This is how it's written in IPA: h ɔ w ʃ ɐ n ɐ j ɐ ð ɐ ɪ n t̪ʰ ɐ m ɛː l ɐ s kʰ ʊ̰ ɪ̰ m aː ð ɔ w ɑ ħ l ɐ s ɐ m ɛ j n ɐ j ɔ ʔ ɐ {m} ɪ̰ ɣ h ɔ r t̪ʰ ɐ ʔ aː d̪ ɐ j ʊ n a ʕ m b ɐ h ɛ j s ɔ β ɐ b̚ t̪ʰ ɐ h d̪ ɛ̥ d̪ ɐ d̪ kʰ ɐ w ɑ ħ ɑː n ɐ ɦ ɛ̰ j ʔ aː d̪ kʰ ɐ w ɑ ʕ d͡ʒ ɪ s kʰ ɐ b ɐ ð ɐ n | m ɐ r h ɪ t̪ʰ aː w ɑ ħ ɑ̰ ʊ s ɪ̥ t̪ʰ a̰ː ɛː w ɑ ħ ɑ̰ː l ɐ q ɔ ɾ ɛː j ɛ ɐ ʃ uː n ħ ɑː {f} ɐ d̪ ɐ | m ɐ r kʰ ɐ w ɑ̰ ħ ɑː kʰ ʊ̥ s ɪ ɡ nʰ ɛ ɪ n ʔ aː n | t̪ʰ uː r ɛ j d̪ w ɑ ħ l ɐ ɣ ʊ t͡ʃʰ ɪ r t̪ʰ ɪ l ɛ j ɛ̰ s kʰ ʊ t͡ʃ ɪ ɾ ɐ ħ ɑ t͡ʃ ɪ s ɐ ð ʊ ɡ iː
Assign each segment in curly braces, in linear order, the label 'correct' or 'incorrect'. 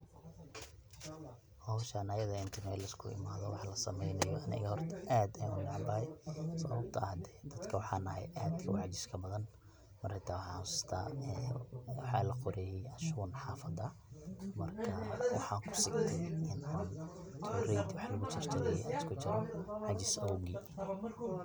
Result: incorrect: n, correct

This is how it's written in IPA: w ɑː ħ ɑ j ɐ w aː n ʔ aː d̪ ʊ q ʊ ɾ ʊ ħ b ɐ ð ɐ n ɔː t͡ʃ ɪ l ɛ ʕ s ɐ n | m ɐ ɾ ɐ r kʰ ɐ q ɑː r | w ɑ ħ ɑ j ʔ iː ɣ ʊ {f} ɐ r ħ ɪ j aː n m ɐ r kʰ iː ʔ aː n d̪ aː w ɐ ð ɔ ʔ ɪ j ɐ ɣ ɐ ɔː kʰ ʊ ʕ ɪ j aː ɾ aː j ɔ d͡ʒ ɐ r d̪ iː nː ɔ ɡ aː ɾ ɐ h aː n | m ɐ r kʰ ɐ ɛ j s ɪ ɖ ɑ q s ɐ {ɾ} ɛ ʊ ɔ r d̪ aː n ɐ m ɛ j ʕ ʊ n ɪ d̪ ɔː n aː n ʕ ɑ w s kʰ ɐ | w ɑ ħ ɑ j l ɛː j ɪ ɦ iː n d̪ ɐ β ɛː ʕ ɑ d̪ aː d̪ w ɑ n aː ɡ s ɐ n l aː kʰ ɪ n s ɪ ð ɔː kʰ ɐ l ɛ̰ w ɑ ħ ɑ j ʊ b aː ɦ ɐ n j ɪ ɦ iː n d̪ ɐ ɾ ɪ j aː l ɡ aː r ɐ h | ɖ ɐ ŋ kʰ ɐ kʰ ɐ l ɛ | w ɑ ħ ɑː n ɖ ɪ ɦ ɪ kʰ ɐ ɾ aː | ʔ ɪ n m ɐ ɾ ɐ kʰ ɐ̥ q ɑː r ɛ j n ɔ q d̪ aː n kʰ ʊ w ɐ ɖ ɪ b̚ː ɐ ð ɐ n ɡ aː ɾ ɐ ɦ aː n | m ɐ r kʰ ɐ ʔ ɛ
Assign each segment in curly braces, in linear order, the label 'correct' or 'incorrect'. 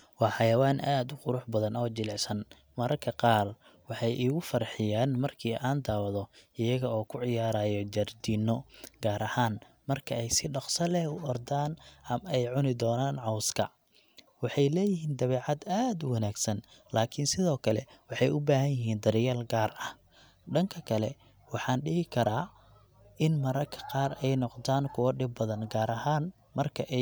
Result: correct, incorrect: l

